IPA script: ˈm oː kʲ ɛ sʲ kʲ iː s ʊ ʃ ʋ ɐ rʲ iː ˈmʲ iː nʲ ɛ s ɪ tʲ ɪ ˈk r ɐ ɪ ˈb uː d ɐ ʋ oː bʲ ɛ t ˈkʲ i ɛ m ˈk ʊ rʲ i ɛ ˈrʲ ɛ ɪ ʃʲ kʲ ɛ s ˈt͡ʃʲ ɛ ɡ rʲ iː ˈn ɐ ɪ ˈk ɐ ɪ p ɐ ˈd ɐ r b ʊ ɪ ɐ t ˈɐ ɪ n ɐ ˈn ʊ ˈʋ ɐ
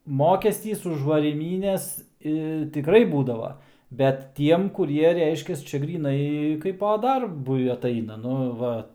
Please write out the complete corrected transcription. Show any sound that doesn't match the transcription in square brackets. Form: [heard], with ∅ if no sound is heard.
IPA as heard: ˈm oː kʲ ɛ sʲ [tʲ] iː s ʊ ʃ ʋ ɐ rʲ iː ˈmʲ iː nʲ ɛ s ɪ tʲ ɪ ˈk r ɐ ɪ ˈb uː d ɐ ʋ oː bʲ ɛ t [ˈtʲ] i ɛ m ˈk ʊ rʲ i ɛ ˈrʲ ɛ ɪ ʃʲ kʲ ɛ s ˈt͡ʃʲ ɛ ɡ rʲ iː ˈn ɐ ɪ ˈk ɐ ɪ p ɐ ˈd ɐ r b ʊ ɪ ɐ t ˈɐ ɪ n ɐ ˈn ʊ ˈʋ ɐ